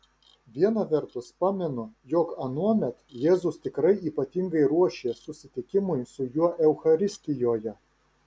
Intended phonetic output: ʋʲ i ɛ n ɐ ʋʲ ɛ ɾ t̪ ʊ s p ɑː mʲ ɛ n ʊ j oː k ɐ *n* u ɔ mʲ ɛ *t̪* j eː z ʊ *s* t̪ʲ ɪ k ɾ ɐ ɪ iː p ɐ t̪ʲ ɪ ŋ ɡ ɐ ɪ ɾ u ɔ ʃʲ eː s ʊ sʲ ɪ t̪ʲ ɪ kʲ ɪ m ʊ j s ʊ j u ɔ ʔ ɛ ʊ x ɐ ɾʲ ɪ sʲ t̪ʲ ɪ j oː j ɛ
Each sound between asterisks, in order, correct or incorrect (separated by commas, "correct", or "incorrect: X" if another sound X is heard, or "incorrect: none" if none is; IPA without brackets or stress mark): correct, correct, correct